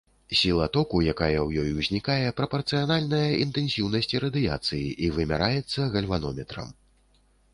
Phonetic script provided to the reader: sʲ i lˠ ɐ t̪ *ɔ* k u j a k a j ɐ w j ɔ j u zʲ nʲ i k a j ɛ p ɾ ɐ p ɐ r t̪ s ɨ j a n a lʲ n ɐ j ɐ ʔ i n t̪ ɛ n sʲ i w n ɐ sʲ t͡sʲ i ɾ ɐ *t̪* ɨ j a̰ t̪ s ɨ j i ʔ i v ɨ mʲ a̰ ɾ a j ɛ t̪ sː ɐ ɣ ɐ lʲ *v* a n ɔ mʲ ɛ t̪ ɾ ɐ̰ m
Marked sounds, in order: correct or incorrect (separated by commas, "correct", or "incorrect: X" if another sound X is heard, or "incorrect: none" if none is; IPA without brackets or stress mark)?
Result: correct, incorrect: d̪, correct